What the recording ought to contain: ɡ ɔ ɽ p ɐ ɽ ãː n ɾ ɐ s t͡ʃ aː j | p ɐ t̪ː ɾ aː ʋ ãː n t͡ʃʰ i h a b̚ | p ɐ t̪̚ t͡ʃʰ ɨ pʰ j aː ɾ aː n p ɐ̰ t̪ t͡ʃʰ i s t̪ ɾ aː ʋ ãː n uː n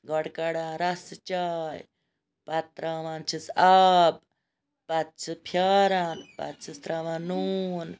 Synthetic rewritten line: ɡ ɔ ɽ k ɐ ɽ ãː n ɾ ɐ s t͡ʃ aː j | p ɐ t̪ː ɾ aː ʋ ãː n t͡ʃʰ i s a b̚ | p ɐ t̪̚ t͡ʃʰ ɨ pʰ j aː ɾ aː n p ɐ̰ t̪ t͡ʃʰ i s t̪ ɾ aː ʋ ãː n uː n